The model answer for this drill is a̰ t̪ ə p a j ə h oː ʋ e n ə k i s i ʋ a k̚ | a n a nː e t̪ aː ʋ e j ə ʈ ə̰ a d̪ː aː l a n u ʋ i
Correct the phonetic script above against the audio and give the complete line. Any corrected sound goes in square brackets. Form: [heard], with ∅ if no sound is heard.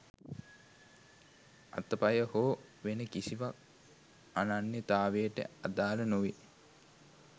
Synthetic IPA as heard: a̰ t̪ ə p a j ə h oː ʋ e n ə k i s i ʋ a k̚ | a n a nː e t̪ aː ʋ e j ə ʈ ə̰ a [d̪] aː l [ə] n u ʋ i